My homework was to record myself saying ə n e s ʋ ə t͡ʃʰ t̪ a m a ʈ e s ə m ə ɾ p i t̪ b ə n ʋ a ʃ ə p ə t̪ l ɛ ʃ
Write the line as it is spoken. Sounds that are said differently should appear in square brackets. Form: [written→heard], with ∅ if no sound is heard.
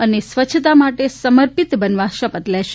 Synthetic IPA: ə n e s ʋ ə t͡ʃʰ t̪ a m a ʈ e s ə m ə ɾ p i t̪ b ə n ʋ a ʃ ə p ə t̪ l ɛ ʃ